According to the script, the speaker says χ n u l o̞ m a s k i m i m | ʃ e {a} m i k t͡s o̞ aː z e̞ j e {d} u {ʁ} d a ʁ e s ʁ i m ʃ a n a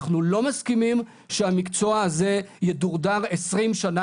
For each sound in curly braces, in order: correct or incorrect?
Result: correct, correct, correct

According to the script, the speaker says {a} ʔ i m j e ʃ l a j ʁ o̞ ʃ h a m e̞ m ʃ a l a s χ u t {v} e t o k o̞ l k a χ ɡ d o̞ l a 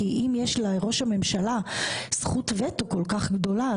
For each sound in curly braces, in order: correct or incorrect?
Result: incorrect: i, correct

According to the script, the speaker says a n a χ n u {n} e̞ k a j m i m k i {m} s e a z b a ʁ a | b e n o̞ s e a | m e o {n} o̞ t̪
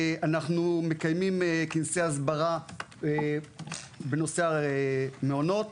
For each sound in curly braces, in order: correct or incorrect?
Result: incorrect: m, incorrect: n, correct

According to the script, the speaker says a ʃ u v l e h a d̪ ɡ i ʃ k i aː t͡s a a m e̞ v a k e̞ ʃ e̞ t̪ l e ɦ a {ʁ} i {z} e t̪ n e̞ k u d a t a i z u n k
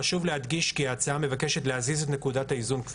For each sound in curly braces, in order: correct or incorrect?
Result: incorrect: z, correct

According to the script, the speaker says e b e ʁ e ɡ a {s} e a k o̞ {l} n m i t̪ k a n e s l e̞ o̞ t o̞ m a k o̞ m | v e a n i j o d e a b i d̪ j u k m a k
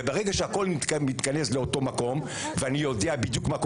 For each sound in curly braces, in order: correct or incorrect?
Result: incorrect: ʃ, correct

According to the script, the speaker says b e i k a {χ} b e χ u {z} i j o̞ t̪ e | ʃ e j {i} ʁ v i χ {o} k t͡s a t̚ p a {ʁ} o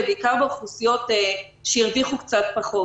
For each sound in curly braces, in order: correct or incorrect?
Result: incorrect: ʁ, incorrect: s, correct, incorrect: u, incorrect: χ

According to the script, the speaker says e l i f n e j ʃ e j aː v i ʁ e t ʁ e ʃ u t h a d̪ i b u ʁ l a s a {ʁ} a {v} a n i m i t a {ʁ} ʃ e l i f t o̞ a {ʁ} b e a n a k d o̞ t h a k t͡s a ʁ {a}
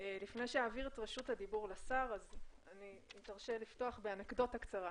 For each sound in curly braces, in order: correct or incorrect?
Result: correct, incorrect: z, correct, incorrect: χ, correct

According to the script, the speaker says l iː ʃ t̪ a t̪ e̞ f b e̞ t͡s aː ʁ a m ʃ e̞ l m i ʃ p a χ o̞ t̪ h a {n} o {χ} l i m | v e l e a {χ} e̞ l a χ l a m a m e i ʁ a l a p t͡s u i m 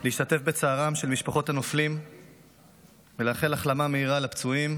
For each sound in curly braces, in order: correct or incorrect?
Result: correct, incorrect: f, correct

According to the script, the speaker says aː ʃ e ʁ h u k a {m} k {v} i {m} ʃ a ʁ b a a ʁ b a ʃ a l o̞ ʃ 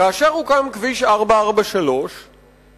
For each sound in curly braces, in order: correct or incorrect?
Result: correct, correct, incorrect: none

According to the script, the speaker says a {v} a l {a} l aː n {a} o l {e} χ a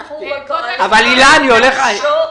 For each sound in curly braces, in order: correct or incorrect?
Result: correct, incorrect: i, incorrect: i, correct

